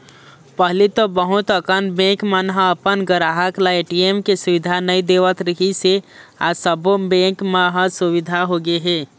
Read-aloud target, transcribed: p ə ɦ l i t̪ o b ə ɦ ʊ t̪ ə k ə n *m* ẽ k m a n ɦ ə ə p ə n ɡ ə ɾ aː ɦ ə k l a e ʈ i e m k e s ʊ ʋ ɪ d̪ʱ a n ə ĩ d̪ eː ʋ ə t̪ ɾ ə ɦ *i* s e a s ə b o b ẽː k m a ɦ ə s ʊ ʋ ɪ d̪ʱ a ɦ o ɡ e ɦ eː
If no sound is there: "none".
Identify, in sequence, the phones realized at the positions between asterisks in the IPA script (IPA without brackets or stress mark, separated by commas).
b, i